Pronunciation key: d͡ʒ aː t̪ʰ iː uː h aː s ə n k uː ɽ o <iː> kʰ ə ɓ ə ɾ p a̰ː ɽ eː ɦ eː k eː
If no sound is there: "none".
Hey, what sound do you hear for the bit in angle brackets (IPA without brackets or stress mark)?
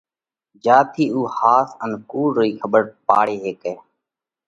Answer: iː